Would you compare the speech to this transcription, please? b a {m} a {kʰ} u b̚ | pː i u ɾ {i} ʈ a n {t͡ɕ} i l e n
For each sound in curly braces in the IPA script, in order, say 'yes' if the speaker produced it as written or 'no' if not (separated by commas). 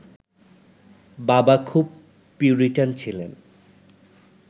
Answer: no, yes, yes, no